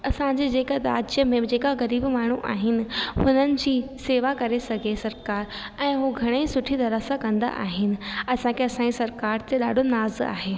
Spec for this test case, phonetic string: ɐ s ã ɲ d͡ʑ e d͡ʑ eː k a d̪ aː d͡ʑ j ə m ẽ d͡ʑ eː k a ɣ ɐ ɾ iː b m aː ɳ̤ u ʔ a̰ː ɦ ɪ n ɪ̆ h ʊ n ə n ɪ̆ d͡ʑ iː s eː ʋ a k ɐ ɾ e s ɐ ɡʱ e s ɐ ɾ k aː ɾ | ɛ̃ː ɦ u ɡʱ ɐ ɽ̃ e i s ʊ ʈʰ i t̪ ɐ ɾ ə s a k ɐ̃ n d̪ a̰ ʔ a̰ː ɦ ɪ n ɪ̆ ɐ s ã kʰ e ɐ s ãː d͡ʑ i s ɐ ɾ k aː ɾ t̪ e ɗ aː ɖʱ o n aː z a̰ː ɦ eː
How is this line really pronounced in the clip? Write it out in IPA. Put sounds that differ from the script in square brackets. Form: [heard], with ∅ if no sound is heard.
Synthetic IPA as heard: ɐ s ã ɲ d͡ʑ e d͡ʑ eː k a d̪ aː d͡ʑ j ə m ẽ d͡ʑ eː k a ɣ ɐ ɾ iː b m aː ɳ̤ u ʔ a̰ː ɦ ɪ n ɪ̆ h ʊ n ə n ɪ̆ d͡ʑ iː s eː ʋ a k ɐ ɾ e s ɐ ɡʱ e s ɐ ɾ k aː ɾ | ɛ̃ː ɦ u ɡʱ ɐ ɽ̃ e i s ʊ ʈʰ i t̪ ɐ ɾ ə s a k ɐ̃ n d̪ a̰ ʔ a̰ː ɦ ɪ n ɪ̆ ɐ s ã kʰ e ɐ s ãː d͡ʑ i s ɐ ɾ k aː ɾ t̪ e ɗ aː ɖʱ o n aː z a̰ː ɦ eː